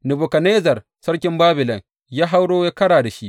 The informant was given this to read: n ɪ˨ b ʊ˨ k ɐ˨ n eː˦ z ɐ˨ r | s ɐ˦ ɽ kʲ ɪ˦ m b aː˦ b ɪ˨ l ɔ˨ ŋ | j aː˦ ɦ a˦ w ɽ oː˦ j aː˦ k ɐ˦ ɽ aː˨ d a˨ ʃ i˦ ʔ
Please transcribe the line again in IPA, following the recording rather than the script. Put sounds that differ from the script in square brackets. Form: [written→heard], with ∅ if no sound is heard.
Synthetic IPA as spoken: n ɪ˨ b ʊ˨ k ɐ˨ n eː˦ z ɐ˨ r | s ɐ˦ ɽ kʲ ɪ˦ m b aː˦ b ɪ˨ l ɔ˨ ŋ | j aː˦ ɦ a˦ w ɽ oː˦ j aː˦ k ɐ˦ ɽ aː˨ d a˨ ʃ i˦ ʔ